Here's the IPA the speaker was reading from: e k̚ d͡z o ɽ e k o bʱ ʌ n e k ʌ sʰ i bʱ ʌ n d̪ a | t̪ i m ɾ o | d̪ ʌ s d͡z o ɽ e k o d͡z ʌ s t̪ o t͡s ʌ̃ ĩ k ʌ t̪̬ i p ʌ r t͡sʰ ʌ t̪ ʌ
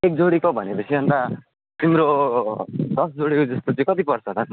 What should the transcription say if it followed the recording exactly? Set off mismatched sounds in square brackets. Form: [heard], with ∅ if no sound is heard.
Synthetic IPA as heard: e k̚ d͡z o ɽ [i] k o bʱ ʌ n e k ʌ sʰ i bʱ ʌ n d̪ a | t̪ i m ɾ o | d̪ ʌ s d͡z o ɽ [i] k o d͡z ʌ s t̪ o t͡s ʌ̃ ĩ k ʌ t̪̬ i p ʌ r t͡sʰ ʌ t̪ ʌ